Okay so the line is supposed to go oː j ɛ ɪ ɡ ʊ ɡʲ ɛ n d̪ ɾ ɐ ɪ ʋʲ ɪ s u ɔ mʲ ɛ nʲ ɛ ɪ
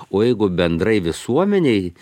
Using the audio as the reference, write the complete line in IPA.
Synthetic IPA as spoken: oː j ɛ ɪ ɡ ʊ bʲ ɛ n d̪ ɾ ɐ ɪ ʋʲ ɪ s u ɔ mʲ ɛ nʲ ɛ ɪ